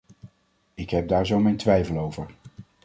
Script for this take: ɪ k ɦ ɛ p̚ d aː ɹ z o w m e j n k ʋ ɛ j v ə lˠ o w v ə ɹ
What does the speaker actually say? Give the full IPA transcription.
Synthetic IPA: ɪ k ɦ ɛ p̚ d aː ɹ z o w m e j n t ʋ ɛ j v ə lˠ o w v ə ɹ